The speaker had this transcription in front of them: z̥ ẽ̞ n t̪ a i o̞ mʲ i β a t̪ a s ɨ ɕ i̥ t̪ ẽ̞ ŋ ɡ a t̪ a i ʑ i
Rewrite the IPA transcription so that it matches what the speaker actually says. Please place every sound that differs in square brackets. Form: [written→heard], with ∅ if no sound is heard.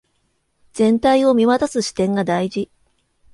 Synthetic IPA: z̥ ẽ̞ n t̪ a i o̞ mʲ i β a t̪ a s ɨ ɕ i̥ t̪ ẽ̞ ŋ ɡ a [t̪→d̪] a i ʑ i